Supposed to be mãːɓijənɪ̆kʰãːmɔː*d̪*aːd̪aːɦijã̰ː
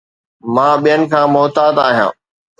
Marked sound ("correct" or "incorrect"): incorrect